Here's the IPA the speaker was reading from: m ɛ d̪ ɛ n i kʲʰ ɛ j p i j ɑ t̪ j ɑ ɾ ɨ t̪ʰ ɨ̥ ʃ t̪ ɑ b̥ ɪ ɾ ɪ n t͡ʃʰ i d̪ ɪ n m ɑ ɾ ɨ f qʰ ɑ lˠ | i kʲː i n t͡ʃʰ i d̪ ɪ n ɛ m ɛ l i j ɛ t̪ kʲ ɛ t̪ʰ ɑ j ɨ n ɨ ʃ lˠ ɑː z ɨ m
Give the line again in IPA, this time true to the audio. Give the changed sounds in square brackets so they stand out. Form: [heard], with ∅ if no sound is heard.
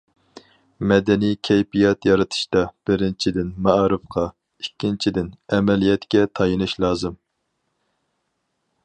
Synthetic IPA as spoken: m ɛ d̪ ɛ n i kʲʰ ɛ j p i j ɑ t̪ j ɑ ɾ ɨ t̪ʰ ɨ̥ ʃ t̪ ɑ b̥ ɪ ɾ ɪ n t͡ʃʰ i d̪ ɪ n m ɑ ɾ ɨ f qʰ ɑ [∅] | i kʲː i n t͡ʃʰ i d̪ ɪ n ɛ m ɛ l i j ɛ t̪ kʲ ɛ t̪ʰ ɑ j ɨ n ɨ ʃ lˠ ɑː z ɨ m